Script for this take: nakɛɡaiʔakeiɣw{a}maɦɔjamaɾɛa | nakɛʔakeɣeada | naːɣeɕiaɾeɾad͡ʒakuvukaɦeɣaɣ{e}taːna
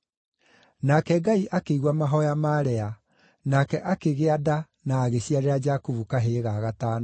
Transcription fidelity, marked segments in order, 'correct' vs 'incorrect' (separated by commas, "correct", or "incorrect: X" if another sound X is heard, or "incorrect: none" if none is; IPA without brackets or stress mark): correct, incorrect: a